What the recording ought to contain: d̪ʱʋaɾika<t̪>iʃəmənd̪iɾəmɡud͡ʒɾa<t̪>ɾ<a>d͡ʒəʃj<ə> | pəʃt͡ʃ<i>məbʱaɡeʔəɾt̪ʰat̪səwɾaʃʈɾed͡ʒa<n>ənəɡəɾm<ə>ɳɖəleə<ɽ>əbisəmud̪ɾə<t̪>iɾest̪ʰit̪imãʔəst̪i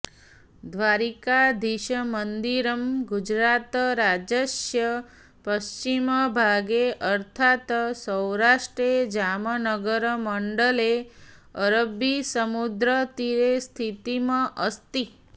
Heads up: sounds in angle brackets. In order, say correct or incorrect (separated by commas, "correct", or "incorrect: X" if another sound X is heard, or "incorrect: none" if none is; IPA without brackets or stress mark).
incorrect: d̪, correct, correct, correct, correct, incorrect: m, correct, incorrect: ɾ, correct